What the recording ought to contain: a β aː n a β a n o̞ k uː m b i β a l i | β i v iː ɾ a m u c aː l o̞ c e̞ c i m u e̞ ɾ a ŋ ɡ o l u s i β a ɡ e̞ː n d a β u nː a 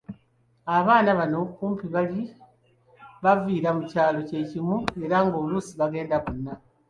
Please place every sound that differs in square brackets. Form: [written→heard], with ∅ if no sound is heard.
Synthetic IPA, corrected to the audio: a β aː n a β a n o̞ k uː m [b→p] i β a l i | β [i→a] v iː ɾ a m u c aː l o̞ c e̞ c i m u e̞ ɾ a ŋ ɡ o l u s i β a ɡ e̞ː n d a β u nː a